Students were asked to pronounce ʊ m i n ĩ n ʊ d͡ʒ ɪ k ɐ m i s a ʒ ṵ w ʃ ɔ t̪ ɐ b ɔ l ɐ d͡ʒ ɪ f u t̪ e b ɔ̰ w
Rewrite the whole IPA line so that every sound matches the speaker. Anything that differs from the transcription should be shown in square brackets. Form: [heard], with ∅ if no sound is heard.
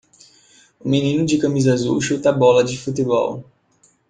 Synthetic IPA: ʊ m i n ĩ n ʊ d͡ʒ ɪ k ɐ m i [z] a [z] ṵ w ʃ [u] t̪ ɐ b ɔ l ɐ d͡ʒ ɪ f u t̪ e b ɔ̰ w

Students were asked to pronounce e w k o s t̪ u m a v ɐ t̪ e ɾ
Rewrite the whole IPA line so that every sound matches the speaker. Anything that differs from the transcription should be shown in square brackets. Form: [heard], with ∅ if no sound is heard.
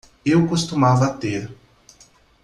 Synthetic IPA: e w k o s t̪ u m a v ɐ t̪ e ɾ

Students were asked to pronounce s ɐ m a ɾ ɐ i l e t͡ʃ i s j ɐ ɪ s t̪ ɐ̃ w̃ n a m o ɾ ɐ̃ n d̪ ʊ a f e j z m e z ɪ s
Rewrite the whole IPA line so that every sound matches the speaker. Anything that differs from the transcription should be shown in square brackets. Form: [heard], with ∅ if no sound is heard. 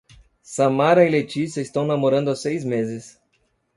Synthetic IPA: s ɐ m a ɾ ɐ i l e t͡ʃ i s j ɐ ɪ s t̪ ɐ̃ w̃ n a m o ɾ ɐ̃ n d̪ ʊ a [s] e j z m e z ɪ s

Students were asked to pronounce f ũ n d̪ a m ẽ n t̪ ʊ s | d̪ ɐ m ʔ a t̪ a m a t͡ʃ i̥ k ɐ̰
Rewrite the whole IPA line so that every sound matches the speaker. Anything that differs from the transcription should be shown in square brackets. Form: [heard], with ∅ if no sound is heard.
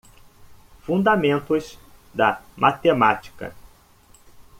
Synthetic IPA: f ũ n d̪ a m ẽ n t̪ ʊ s | d̪ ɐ m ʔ a t̪ [e] m a t͡ʃ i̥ k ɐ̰

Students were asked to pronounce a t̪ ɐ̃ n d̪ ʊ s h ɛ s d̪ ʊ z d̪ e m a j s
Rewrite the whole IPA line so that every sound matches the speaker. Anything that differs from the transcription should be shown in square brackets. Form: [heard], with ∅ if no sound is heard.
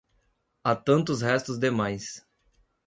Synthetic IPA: a t̪ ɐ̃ n [t̪] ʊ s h ɛ s [t̪] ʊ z d̪ e m a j s

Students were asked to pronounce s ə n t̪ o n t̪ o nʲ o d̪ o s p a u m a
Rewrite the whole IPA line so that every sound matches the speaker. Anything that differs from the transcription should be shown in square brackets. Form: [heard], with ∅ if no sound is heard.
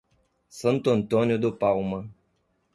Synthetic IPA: s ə n t̪ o n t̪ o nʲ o d̪ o [∅] p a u m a

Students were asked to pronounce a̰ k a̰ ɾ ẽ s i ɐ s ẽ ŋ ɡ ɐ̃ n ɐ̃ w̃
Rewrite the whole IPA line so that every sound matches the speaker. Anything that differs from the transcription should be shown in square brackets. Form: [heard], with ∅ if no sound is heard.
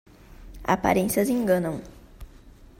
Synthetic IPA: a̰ [p] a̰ ɾ ẽ s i ɐ [z] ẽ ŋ ɡ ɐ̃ n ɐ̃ w̃

